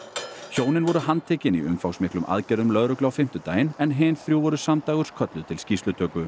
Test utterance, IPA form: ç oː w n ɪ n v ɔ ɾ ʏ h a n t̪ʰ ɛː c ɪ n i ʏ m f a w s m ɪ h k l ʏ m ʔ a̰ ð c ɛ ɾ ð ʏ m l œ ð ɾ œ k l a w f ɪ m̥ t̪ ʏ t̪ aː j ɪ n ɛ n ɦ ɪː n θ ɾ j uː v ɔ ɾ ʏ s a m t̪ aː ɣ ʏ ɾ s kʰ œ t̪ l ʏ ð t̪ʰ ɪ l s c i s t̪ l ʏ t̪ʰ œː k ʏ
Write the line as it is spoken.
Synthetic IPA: ç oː w n ɪ n v ɔ ɾ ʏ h a n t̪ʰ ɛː c ɪ n i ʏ m f a w s m ɪ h k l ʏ m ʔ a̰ ð c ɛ ɾ ð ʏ m l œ ð ɾ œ k l a w f ɪ m̥ t̪ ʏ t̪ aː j ɪ n ɛ n ɦ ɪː n θ ɾ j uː v ɔ ɾ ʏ s a m t̪ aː ɣ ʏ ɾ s kʰ œ t̪ l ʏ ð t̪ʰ ɪ l s c i s t̪ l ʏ t̪ʰ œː k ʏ